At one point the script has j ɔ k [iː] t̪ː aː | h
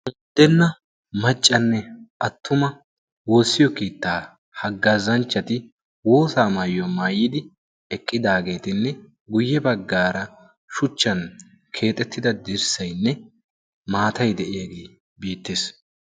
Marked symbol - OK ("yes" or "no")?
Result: yes